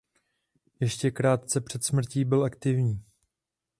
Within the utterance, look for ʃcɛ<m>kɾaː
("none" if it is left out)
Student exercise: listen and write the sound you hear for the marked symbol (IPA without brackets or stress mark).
none